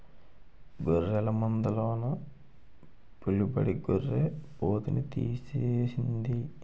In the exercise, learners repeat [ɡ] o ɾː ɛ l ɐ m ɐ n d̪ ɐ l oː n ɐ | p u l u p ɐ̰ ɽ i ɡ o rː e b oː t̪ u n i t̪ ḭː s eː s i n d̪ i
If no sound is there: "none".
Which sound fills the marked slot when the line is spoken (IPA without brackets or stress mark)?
ɡ